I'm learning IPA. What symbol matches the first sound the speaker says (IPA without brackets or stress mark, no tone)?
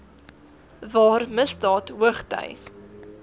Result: v